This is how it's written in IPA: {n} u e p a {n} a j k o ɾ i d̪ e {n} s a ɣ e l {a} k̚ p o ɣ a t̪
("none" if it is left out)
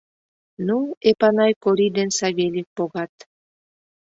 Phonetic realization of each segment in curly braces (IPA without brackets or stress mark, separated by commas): n, n, n, i